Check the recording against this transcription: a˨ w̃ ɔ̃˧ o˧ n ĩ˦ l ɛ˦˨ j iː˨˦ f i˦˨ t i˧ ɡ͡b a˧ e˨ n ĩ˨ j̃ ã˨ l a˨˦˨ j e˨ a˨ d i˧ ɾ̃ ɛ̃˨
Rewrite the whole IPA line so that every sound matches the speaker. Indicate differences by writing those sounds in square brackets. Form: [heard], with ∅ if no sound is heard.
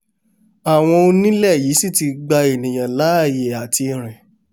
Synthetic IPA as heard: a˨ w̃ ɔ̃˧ o˧ n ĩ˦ l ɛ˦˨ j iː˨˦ [s] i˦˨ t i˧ ɡ͡b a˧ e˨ n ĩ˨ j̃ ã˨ l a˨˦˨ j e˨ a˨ [t] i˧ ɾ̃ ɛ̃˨